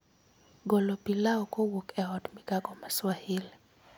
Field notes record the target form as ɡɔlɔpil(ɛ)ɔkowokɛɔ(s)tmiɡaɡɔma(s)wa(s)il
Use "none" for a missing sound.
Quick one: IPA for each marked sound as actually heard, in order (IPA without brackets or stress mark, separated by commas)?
a, none, s, h